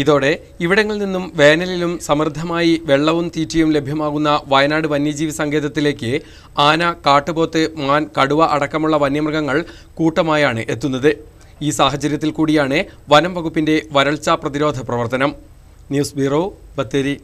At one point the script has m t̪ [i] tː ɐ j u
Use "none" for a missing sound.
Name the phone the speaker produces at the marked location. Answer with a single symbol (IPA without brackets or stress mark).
iː